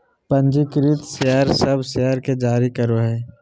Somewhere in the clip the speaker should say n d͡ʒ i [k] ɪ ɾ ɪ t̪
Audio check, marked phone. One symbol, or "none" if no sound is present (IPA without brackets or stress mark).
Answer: k